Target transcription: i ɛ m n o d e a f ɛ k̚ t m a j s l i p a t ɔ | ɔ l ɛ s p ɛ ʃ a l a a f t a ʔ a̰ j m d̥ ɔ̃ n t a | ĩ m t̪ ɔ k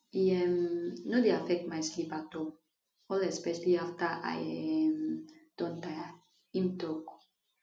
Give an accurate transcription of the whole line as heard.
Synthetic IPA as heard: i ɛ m n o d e a f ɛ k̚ t m a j s l i p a t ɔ | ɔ l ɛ s p ɛ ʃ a l i a f t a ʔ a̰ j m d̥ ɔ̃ n t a | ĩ m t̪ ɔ k